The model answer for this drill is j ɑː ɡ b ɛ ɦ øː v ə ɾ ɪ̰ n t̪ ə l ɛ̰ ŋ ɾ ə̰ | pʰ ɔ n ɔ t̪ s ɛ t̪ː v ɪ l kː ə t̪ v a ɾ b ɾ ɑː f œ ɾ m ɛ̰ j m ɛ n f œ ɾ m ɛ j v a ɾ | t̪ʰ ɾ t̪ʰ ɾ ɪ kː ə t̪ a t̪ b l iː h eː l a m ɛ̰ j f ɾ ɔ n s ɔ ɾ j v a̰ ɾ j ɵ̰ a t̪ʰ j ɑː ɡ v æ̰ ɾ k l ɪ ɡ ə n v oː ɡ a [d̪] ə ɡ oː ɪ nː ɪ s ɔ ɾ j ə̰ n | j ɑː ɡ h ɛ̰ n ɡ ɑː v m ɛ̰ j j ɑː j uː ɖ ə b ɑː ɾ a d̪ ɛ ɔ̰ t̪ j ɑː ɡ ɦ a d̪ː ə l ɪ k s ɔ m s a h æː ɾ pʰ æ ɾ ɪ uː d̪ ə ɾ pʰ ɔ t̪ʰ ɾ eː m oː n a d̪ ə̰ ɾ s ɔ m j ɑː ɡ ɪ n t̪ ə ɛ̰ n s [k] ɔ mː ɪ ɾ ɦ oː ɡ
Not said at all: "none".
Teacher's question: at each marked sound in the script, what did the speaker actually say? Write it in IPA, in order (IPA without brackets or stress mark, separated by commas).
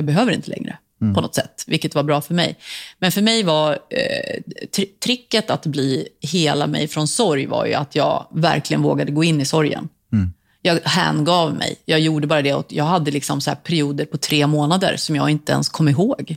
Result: d̪, kʰ